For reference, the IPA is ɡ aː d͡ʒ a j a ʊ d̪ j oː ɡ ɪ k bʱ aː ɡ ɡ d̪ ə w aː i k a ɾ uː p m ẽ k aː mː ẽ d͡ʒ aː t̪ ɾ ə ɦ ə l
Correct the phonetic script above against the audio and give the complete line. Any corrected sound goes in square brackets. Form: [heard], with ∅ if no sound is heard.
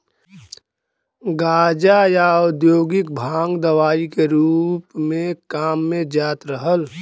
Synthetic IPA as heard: ɡ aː d͡ʒ a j a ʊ d̪ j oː ɡ ɪ k bʱ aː [ŋ] ɡ d̪ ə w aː i k [e] ɾ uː p m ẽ k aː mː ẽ d͡ʒ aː t̪ ɾ ə ɦ ə l

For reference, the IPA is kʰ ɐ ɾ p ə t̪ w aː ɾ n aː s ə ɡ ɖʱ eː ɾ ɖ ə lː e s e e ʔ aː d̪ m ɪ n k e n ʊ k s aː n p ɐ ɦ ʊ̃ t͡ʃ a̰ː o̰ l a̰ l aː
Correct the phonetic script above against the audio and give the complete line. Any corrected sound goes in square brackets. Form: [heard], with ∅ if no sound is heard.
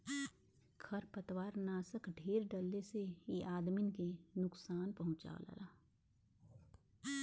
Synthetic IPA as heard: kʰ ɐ ɾ p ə t̪ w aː ɾ n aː s ə [k] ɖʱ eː ɾ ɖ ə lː e s e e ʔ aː d̪ m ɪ n k e n ʊ k s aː n p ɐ ɦ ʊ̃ t͡ʃ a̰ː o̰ l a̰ l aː

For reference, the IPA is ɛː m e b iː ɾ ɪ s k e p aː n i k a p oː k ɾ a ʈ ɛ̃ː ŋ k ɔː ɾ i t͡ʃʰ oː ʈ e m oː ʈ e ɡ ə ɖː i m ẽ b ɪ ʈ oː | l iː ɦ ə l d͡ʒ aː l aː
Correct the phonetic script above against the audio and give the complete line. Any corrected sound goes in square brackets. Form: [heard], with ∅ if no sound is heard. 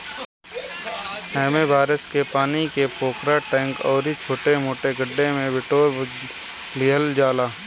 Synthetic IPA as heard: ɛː m e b [aː] ɾ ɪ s k e p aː n i k [e] p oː k ɾ a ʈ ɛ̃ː ŋ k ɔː ɾ i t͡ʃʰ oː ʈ e m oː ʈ e ɡ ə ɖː [e] m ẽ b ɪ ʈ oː | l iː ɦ ə l d͡ʒ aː l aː

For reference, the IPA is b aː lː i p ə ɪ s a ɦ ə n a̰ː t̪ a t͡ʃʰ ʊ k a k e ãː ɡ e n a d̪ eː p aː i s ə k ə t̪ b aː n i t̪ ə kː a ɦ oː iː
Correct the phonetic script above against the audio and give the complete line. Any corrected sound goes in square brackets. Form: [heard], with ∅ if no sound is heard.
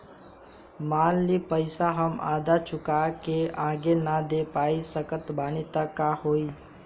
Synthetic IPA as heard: [m] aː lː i p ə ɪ s a ɦ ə [m] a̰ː [d̪] a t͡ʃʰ ʊ k a k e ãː ɡ e n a d̪ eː p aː i s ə k ə t̪ b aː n i t̪ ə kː a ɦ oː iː

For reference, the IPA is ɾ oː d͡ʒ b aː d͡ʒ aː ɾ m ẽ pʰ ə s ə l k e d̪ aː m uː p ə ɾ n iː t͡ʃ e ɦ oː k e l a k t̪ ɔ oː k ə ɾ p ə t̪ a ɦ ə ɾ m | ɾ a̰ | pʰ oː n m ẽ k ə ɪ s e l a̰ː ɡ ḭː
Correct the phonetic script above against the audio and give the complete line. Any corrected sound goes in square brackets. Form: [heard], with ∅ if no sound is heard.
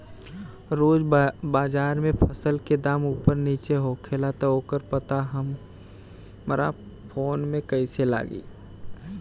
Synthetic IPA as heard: ɾ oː d͡ʒ b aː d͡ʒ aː ɾ m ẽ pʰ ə s ə l k e d̪ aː m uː p ə ɾ n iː t͡ʃ e ɦ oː [kʰ] e l a [∅] t̪ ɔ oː k ə ɾ p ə t̪ a ɦ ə [∅] m | ɾ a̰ | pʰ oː n m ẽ k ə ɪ s e l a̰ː ɡ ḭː

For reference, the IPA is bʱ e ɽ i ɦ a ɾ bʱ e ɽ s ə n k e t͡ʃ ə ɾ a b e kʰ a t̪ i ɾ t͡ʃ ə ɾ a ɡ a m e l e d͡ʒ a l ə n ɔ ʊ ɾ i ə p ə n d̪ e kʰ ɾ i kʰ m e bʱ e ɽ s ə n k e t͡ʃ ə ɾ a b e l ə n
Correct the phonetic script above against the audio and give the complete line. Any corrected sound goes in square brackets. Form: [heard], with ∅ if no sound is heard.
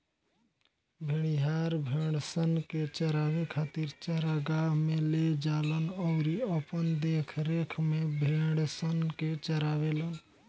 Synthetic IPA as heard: bʱ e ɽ i ɦ a ɾ bʱ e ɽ s ə n k e t͡ʃ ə ɾ a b e kʰ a t̪ i ɾ t͡ʃ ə ɾ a ɡ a m e l e d͡ʒ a l ə n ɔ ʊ ɾ i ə p ə n d̪ e kʰ ɾ [e] kʰ m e bʱ e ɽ s ə n k e t͡ʃ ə ɾ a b e l ə n

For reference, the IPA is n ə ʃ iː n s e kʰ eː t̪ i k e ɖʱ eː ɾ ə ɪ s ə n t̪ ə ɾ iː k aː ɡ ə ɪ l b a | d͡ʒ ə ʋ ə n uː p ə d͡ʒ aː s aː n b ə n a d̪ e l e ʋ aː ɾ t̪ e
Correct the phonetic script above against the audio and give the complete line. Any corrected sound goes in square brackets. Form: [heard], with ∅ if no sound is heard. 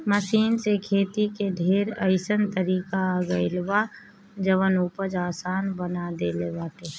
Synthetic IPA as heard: [m] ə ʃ iː n s e kʰ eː t̪ i k e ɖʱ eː ɾ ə ɪ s ə n t̪ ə ɾ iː k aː ɡ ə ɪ l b a | d͡ʒ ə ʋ ə n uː p ə d͡ʒ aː s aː n b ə n a d̪ e l e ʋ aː [∅] t̪ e

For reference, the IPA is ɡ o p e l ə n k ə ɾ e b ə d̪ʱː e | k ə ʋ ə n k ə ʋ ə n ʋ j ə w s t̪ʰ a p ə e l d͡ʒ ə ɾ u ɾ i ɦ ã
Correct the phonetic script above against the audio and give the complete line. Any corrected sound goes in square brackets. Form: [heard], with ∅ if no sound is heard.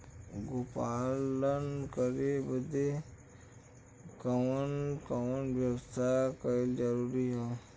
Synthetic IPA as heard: ɡ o p [a] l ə n k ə ɾ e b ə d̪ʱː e | k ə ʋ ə n k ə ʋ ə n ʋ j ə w s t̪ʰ a [k] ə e l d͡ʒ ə ɾ u ɾ i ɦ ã

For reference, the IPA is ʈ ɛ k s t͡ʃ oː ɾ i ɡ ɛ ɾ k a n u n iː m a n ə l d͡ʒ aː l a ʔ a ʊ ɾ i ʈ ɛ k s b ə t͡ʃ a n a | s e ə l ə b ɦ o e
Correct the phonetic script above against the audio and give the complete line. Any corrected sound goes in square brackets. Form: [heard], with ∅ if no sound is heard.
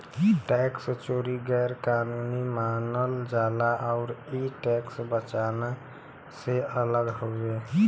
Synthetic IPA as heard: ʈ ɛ k s t͡ʃ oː ɾ i ɡ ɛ ɾ k a n u n [i] m a n ə l d͡ʒ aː l a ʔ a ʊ ɾ i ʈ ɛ k s b ə t͡ʃ a n a | s e ə l ə [ɡ] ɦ o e

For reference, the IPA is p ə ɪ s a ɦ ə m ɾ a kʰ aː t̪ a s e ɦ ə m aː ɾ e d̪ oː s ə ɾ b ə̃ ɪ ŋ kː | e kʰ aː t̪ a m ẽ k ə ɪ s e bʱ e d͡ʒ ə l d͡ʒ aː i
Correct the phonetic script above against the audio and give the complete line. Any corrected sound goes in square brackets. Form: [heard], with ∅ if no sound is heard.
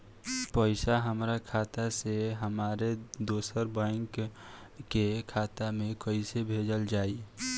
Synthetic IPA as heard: p ə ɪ s a ɦ ə m ɾ a kʰ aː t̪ a s e ɦ ə m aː ɾ e d̪ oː s ə ɾ b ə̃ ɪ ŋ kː | e kʰ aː t̪ a m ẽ k ə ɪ s e bʱ e d͡ʒ ə l d͡ʒ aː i

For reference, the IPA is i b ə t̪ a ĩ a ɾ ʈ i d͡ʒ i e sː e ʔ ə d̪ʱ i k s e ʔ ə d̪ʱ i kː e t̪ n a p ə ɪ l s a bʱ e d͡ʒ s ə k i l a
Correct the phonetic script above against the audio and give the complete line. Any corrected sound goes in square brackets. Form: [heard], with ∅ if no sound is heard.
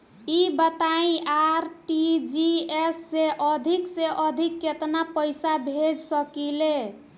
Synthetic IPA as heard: i b ə t̪ a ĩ a ɾ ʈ i d͡ʒ i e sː e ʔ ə d̪ʱ i k s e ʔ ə d̪ʱ i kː e t̪ n a p ə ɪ [∅] s a bʱ e d͡ʒ s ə k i l [e]

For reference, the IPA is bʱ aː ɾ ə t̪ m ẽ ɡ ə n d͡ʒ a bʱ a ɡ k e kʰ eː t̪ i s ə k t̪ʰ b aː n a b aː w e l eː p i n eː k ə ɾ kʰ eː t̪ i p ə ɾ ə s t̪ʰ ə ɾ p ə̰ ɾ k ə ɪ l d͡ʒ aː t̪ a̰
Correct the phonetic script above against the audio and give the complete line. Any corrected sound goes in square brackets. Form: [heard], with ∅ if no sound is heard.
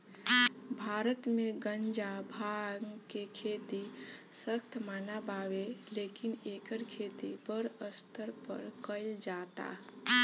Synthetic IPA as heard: bʱ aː ɾ ə t̪ m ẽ ɡ ə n d͡ʒ a bʱ a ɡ k e kʰ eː t̪ i s ə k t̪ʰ [m] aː n a b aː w e l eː [k] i n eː k ə ɾ kʰ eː t̪ i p ə ɾ ə s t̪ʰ ə ɾ p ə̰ ɾ k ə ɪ l d͡ʒ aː t̪ a̰

